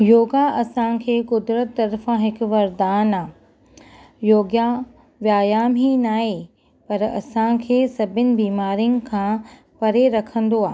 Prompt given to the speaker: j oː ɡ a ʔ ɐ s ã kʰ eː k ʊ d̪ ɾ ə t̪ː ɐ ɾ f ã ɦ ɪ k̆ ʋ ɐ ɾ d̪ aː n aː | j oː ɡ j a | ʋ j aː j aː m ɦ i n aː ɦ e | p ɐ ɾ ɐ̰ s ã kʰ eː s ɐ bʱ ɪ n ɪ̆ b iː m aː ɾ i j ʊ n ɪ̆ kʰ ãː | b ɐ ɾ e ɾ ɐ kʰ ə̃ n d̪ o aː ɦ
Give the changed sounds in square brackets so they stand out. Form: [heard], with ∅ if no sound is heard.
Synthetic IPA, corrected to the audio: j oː ɡ a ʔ ɐ s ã kʰ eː k ʊ d̪ ɾ ə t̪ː ɐ ɾ f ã ɦ ɪ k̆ ʋ ɐ ɾ d̪ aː n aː | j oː ɡ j a | ʋ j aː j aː m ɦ i n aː ɦ e | p ɐ ɾ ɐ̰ s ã kʰ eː s ɐ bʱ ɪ n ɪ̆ b iː m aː ɾ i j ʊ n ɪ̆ kʰ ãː | [p] ɐ ɾ e ɾ ɐ kʰ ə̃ n d̪ o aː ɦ